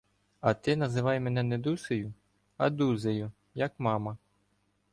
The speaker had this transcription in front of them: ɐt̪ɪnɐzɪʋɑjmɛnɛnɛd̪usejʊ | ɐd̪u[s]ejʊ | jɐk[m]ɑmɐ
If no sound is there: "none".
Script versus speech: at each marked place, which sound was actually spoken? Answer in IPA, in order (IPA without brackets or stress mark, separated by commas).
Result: z, m